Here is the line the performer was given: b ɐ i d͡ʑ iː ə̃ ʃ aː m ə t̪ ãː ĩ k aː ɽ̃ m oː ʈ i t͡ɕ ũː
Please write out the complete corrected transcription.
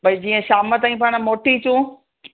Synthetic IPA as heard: b ɐ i d͡ʑ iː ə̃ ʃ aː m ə t̪ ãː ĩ p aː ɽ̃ m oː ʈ i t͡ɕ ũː